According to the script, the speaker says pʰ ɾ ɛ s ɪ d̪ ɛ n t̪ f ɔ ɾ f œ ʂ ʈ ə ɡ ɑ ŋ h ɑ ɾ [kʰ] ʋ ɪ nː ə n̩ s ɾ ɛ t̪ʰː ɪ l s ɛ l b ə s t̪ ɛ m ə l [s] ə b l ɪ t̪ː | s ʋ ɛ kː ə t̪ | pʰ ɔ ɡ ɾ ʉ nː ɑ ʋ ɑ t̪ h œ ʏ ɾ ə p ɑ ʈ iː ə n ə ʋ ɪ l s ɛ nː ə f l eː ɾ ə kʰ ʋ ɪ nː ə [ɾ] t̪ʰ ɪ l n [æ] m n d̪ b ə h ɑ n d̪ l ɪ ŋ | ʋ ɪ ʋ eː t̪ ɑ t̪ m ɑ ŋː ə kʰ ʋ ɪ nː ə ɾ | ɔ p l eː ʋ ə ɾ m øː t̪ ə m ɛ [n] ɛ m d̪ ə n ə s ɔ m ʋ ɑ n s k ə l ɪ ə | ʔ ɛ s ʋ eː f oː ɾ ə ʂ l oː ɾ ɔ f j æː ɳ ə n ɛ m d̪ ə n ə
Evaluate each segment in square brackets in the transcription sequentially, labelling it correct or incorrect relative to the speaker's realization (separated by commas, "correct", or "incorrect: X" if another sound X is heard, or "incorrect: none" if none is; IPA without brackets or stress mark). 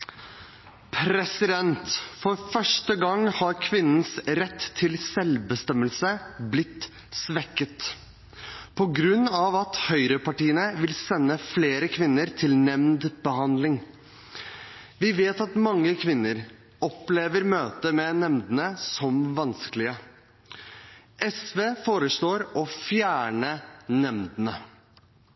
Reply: correct, correct, correct, incorrect: ɛ, correct